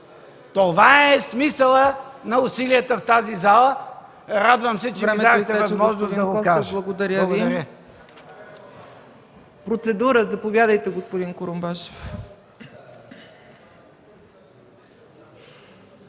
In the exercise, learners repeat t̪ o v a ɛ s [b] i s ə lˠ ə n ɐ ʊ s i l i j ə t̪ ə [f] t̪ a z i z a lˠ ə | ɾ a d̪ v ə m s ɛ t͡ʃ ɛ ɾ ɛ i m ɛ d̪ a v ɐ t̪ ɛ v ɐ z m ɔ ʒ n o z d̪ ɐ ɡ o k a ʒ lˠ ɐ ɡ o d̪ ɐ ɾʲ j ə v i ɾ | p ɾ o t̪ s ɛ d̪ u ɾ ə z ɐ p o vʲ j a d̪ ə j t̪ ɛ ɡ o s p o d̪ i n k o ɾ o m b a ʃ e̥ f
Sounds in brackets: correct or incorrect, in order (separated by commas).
incorrect, correct